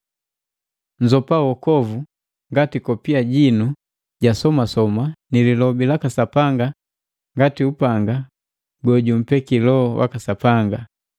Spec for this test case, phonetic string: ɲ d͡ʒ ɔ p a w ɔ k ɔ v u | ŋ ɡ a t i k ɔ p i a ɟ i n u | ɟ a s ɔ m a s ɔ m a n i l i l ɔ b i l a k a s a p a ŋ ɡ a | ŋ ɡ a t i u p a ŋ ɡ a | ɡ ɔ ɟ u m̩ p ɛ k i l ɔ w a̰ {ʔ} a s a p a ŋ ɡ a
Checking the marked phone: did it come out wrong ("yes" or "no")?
yes